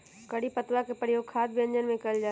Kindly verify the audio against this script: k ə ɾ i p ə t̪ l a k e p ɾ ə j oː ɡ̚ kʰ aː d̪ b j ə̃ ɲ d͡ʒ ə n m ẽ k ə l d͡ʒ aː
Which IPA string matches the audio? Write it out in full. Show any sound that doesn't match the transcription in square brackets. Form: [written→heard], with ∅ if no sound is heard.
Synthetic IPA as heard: k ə [ɾ→ɽ] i p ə t̪ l a k e p ɾ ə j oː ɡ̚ kʰ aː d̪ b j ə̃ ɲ d͡ʒ ə n m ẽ k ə l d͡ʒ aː